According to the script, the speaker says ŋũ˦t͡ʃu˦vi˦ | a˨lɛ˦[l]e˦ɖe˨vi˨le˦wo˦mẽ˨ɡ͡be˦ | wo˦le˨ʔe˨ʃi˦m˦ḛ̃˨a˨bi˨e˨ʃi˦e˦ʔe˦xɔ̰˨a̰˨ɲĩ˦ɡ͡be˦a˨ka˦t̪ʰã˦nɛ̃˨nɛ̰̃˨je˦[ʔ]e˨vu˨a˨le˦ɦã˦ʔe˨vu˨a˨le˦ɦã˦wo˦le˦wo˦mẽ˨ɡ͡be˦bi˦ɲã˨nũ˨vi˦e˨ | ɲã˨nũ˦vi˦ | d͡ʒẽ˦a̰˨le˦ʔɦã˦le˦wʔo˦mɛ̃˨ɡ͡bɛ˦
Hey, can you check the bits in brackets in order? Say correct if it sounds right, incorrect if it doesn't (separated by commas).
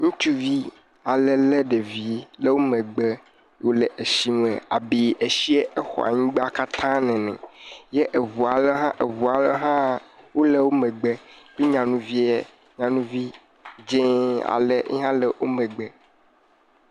correct, correct